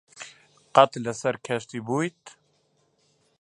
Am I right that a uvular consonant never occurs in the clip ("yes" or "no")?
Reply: no